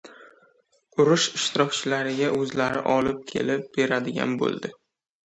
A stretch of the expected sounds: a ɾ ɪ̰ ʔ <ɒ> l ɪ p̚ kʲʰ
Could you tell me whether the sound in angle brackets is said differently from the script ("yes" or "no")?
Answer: no